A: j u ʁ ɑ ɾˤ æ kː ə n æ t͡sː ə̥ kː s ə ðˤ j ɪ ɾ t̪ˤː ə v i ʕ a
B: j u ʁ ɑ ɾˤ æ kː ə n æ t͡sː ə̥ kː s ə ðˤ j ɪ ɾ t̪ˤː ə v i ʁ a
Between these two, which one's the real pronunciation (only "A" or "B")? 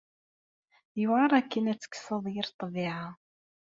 A